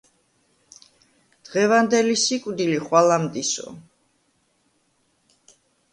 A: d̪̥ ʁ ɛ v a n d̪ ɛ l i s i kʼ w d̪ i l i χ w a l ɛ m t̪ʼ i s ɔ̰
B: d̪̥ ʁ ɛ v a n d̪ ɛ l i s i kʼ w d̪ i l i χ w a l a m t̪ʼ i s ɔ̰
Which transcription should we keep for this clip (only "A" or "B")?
B